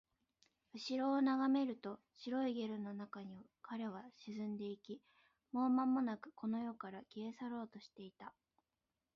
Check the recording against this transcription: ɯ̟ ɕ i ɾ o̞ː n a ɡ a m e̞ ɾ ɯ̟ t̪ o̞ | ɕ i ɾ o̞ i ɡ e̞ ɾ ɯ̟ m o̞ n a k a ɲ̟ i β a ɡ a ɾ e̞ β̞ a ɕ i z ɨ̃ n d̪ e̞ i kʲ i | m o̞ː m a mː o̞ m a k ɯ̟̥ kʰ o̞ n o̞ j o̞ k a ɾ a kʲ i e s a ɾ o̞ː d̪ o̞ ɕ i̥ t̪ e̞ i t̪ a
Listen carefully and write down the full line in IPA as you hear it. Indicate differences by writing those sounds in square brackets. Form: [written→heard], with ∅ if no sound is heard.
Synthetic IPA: ɯ̟ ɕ i ɾ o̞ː n a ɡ a m e̞ ɾ ɯ̟ t̪ o̞ | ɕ i ɾ o̞ i ɡ e̞ ɾ ɯ̟ [m→n] o̞ n a k a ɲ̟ i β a [ɡ→k] a ɾ e̞ β̞ a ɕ i z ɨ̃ n d̪ e̞ i kʲ i | m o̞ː m a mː o̞ [m→n] a k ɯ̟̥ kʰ o̞ n o̞ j o̞ k a ɾ a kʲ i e s a ɾ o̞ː [d̪→t̪] o̞ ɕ i̥ t̪ e̞ i t̪ a